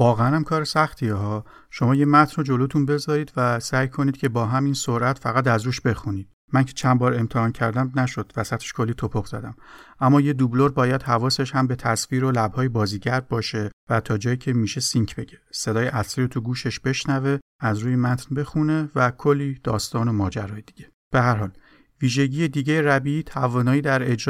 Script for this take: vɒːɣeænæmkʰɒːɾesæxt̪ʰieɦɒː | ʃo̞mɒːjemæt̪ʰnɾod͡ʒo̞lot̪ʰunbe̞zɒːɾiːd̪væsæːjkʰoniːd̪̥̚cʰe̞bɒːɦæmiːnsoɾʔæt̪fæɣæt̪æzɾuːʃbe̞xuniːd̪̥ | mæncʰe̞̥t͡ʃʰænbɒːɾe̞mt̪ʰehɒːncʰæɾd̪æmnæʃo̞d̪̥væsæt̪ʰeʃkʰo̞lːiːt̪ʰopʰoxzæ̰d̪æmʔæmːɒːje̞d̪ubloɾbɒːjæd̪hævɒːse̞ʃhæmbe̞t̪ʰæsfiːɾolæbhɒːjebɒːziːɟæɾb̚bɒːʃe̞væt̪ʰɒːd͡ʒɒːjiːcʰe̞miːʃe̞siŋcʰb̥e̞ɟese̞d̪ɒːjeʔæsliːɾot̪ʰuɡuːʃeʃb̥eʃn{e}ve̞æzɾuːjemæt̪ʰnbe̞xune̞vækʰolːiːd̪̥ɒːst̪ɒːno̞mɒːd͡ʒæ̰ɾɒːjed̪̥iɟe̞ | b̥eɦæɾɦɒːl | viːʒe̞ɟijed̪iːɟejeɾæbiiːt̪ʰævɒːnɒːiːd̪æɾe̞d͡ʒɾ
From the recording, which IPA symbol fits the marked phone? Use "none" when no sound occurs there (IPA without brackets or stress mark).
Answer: æ